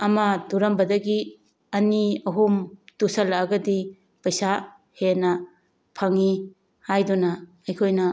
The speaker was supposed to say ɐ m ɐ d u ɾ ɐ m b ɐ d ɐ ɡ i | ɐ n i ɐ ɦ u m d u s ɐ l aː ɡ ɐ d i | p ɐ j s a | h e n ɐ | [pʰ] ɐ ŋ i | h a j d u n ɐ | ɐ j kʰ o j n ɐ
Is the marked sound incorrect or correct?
correct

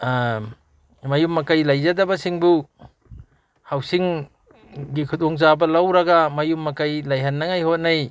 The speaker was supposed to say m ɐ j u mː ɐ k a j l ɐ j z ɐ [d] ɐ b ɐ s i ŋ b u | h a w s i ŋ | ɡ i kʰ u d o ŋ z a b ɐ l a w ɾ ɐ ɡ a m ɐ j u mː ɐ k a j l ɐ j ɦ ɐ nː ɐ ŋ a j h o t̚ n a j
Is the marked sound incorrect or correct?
correct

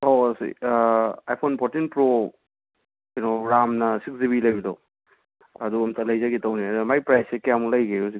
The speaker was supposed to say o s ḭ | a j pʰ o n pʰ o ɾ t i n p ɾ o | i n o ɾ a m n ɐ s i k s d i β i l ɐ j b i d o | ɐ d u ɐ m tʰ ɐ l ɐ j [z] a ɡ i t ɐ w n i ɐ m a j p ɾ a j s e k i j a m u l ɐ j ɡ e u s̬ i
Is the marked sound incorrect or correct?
correct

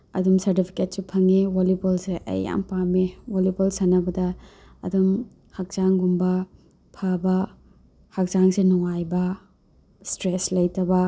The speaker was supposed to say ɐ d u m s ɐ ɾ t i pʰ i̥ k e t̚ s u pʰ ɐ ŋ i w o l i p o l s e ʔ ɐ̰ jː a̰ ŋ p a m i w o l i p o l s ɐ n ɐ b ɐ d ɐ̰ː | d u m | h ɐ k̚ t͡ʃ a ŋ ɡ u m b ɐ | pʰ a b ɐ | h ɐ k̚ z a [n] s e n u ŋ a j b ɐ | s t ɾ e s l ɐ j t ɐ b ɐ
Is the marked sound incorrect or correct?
incorrect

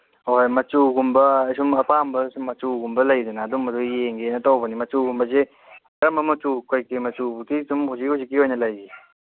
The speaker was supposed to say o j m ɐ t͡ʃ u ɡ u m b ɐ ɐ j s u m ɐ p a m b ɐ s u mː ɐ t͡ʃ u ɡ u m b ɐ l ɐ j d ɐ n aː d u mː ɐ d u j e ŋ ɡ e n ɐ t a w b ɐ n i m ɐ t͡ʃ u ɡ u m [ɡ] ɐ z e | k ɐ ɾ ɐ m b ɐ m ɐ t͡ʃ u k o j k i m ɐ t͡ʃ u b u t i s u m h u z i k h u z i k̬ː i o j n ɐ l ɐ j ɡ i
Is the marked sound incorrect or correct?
incorrect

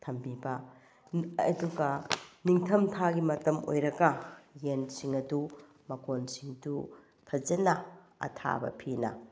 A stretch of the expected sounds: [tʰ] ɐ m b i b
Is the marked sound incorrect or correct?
correct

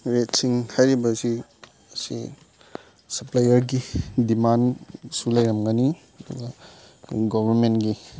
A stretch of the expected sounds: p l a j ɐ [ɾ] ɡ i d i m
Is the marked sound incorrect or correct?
correct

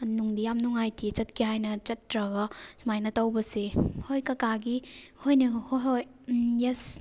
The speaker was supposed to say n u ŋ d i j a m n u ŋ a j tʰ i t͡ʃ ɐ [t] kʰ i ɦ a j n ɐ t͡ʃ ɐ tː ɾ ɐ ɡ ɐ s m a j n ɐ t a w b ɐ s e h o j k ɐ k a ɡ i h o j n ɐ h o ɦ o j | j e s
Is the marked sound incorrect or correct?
correct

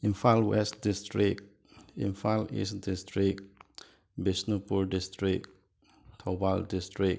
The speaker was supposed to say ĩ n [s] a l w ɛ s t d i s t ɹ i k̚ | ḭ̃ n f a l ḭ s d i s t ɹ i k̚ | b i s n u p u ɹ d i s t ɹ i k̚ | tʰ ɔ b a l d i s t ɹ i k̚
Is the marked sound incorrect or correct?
incorrect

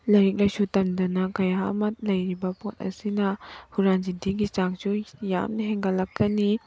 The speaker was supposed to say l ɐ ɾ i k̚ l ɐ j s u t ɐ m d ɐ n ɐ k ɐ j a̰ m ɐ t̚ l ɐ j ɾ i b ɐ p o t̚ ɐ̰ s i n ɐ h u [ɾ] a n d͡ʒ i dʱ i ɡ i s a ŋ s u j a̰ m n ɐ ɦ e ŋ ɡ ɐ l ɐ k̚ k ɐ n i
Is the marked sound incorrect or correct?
correct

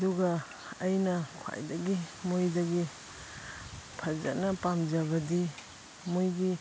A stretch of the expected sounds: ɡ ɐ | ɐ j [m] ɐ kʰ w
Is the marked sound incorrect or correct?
incorrect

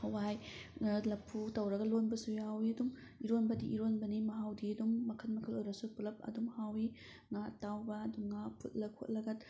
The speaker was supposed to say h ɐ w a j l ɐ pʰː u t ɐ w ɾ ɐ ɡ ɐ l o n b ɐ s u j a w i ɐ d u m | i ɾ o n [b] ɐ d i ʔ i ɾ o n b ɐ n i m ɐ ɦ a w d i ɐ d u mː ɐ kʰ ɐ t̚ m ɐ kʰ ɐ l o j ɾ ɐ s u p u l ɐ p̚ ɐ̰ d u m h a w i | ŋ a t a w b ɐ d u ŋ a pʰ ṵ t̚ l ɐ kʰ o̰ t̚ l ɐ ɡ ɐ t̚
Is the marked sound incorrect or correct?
correct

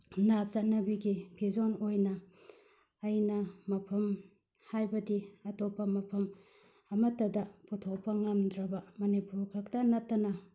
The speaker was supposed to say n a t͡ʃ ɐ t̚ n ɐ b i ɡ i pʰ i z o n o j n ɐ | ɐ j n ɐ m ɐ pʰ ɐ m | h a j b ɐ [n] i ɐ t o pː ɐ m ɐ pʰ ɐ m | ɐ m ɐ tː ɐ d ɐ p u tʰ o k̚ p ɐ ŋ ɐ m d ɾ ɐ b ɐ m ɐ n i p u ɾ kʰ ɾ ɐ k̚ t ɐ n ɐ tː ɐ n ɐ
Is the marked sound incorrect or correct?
incorrect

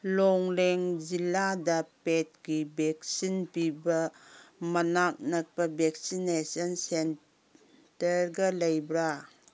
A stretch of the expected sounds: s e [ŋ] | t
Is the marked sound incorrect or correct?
incorrect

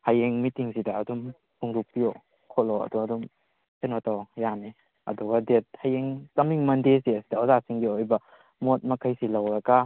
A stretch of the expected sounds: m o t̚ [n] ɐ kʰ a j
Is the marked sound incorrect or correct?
incorrect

